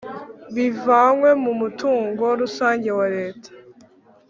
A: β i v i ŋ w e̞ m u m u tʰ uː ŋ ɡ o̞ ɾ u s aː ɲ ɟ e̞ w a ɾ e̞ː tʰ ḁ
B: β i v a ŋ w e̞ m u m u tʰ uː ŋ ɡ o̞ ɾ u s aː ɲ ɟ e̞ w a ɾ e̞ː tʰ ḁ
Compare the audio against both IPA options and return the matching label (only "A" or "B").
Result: B